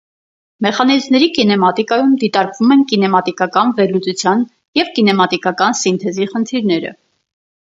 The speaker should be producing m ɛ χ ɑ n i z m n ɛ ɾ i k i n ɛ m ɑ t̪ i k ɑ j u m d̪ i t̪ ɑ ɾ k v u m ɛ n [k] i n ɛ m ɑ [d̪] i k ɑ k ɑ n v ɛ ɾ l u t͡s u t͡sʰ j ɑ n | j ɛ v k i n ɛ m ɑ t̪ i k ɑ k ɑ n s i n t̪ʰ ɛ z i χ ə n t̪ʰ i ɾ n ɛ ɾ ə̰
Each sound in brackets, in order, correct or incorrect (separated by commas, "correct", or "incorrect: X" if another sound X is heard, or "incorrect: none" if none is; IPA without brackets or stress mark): correct, incorrect: t̪